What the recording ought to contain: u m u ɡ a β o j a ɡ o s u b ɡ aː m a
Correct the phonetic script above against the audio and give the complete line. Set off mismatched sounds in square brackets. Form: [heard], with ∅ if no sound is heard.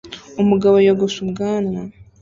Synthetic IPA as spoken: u m u ɡ a β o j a ɡ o s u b ɡ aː [n] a

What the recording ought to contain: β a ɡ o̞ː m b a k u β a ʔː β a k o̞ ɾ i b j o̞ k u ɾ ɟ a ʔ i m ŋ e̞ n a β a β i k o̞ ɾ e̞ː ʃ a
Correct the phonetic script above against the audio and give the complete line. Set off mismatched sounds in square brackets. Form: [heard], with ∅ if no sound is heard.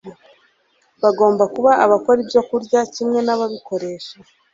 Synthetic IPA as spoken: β a ɡ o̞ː m b a k u β a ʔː β a k o̞ ɾ i b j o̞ k u ɾ ɟ a [c] i m ŋ e̞ n a β a β i k o̞ ɾ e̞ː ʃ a

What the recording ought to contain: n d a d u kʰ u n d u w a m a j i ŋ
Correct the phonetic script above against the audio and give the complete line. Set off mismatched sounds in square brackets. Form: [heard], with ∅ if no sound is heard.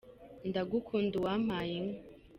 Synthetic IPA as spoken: n d a [ɡ] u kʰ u n d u w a m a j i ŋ

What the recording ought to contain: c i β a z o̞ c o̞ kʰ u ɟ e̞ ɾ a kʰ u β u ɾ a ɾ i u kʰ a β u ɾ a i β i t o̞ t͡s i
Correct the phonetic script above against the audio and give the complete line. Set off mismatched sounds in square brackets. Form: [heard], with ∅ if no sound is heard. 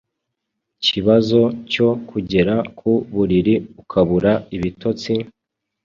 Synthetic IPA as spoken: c i β a z o̞ c o̞ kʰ u ɟ e̞ ɾ a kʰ u β u ɾ [i] ɾ i u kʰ a β u ɾ a i β i t o̞ t͡s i

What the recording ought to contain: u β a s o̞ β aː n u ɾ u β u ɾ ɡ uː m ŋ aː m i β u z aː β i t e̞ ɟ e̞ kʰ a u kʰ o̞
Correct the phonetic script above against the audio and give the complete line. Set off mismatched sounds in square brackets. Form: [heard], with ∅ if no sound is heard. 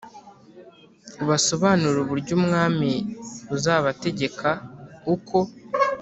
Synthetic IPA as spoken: u β a s o̞ β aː n u ɾ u β u ɾ [ɟ] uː m ŋ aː m i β u z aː β [a] t e̞ ɟ e̞ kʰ a u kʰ o̞

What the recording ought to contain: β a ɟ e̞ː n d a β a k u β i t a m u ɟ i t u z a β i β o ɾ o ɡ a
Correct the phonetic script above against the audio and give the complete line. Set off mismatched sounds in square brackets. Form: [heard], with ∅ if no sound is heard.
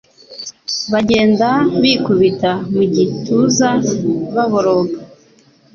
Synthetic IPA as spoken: β a ɟ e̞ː n d a β [i] k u β i t a m u ɟ i t u z a β [a] β o ɾ o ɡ a

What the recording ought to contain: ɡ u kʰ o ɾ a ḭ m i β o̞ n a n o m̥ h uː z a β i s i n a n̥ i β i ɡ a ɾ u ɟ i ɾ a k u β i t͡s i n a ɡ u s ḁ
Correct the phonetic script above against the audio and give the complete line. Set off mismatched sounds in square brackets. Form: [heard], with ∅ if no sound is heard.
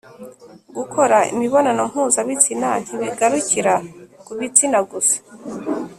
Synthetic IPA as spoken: ɡ u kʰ o ɾ a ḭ m i β o̞ n a n o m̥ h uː z a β i [t͡s] i n a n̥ i β i ɡ a ɾ u [c] i ɾ a k u β i t͡s i n a ɡ u s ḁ

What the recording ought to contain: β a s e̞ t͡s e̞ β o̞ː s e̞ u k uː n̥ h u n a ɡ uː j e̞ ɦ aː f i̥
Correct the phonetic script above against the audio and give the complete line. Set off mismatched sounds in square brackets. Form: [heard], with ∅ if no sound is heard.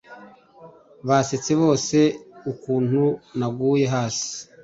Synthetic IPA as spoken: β a s e̞ t͡s e̞ β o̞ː s e̞ u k uː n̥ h u n a ɡ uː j e̞ ɦ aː [s] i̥

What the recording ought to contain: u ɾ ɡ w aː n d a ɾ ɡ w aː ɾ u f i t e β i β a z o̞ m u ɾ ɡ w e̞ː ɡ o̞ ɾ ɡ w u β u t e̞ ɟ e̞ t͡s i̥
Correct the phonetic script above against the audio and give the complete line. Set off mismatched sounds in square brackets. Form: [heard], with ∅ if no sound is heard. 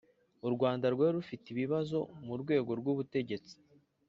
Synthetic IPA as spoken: u ɾ ɡ w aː n d a ɾ ɡ w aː ɾ u f i t [i] β i β a z o̞ m u ɾ ɡ w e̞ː ɡ o̞ ɾ ɡ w u β u t e̞ ɟ e̞ t͡s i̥

